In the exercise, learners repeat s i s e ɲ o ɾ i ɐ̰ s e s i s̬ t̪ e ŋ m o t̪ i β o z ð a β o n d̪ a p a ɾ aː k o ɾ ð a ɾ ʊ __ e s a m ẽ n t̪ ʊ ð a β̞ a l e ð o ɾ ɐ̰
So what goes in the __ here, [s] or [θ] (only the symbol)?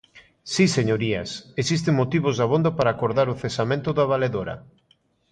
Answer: θ